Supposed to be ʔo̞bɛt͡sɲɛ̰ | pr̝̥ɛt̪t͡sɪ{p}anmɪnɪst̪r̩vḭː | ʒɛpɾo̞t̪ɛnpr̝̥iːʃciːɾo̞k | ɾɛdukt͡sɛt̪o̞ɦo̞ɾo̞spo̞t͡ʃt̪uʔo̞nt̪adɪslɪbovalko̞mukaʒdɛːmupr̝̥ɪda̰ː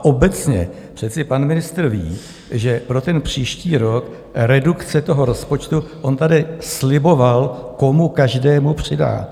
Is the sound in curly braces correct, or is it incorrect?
correct